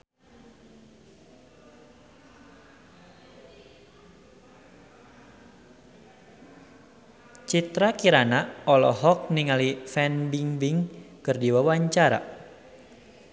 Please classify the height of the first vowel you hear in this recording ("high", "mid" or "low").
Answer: high